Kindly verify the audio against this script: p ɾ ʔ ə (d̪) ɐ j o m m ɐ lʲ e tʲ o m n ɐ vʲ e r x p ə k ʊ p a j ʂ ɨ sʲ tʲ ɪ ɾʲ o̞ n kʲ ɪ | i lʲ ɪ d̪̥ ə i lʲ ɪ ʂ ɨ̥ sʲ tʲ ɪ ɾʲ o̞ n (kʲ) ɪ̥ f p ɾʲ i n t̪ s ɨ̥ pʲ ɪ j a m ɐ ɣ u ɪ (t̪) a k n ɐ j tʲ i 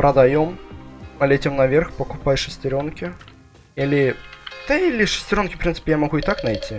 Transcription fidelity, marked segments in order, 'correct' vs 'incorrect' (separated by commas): correct, correct, correct